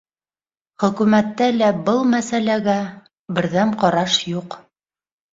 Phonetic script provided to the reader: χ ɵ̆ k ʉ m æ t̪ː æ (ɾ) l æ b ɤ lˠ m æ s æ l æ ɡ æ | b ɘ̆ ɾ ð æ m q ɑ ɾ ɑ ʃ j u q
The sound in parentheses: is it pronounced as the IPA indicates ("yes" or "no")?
no